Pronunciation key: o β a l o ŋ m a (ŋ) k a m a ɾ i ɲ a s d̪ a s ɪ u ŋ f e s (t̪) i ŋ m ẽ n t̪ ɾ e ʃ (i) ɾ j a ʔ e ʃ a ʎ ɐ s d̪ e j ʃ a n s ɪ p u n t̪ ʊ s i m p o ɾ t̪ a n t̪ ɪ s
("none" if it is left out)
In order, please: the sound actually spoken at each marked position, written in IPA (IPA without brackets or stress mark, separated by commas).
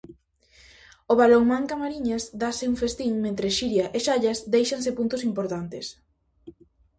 ŋ, t̪, i